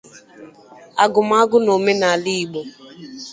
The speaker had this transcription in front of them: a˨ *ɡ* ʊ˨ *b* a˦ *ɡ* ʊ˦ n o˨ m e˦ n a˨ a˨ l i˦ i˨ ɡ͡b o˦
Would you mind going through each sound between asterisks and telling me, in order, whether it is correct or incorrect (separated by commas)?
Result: correct, incorrect, correct